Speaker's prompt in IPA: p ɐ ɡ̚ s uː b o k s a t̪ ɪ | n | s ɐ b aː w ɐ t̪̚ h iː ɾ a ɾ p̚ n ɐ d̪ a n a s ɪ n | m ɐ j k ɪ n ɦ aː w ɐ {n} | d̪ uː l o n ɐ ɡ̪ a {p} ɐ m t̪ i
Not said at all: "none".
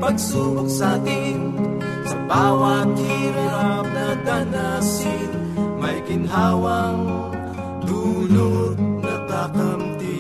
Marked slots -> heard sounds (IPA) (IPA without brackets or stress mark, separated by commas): ŋ, k